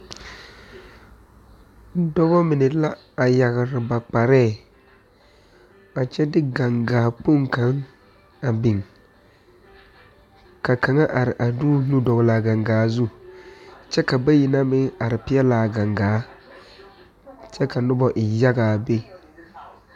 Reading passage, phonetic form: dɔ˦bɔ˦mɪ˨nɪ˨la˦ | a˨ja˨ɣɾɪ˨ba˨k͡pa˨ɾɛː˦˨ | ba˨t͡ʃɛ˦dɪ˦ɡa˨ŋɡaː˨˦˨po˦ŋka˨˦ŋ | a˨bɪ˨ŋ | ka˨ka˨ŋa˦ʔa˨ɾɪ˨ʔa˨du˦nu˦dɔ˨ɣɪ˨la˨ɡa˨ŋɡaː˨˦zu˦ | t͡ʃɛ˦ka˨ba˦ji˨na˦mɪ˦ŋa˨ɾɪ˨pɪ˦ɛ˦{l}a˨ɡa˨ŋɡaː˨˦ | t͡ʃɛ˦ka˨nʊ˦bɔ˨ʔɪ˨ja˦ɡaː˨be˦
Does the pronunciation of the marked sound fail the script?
no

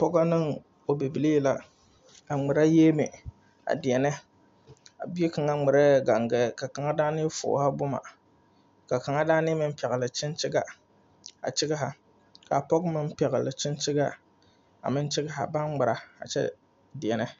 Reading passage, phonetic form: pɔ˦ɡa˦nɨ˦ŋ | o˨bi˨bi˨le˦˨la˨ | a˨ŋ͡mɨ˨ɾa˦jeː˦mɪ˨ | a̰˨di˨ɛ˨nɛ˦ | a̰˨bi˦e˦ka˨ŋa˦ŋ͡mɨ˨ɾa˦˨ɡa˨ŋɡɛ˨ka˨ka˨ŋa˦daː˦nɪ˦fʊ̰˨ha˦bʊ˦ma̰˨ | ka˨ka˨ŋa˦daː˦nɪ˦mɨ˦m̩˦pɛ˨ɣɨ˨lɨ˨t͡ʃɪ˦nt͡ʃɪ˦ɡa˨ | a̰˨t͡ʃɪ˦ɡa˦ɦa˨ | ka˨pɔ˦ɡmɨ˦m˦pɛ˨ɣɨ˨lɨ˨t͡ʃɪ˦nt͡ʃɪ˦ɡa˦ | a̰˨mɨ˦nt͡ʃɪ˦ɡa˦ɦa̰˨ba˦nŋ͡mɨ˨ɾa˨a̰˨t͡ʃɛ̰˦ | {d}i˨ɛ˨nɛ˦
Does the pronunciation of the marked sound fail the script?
no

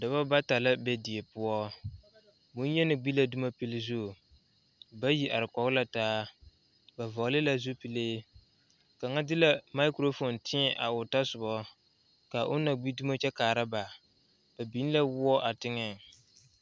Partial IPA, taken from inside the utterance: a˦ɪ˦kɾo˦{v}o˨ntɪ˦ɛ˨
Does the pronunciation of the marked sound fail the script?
yes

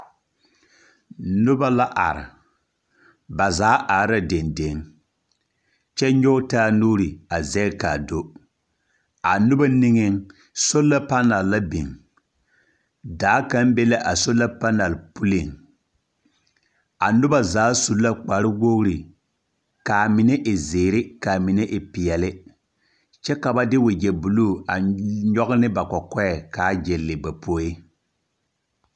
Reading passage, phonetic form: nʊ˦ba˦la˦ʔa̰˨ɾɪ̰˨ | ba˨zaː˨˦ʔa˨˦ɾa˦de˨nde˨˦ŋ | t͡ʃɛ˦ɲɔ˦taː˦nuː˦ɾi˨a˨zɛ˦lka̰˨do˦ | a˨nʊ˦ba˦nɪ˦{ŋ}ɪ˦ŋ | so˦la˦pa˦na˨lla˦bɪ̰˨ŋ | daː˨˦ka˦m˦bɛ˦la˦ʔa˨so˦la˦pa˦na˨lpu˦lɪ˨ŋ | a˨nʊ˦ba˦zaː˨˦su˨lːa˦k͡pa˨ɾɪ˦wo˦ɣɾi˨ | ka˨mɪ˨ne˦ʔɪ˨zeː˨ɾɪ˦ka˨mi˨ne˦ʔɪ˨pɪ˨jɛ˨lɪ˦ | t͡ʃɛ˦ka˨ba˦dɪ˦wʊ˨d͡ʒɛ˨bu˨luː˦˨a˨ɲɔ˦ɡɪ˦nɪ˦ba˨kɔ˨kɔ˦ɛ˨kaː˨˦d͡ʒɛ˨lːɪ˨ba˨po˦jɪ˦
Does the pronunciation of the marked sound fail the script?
no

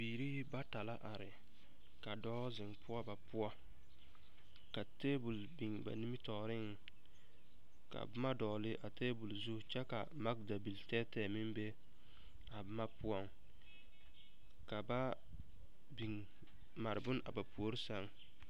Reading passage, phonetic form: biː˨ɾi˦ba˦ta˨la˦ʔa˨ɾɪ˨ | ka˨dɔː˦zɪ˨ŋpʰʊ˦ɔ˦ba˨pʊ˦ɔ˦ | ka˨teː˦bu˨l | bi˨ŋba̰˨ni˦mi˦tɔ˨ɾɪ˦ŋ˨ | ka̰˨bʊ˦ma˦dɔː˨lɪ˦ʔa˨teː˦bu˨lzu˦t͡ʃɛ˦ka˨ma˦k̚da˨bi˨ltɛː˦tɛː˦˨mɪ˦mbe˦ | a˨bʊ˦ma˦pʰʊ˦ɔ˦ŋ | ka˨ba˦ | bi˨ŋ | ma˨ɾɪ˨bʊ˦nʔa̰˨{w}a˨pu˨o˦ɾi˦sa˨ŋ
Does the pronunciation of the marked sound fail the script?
yes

